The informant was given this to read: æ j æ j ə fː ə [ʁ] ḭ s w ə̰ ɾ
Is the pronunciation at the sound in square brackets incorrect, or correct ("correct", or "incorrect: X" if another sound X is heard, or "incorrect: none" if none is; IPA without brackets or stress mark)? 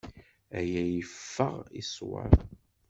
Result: correct